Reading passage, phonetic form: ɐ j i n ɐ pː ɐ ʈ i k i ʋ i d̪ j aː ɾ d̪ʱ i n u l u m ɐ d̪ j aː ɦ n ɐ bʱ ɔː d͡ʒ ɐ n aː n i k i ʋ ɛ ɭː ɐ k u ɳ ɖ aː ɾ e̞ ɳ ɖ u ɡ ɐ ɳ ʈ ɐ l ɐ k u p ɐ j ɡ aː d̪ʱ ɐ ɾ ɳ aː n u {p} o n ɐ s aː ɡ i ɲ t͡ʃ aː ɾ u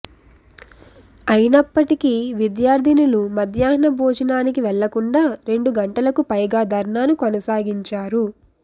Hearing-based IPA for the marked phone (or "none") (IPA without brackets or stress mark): k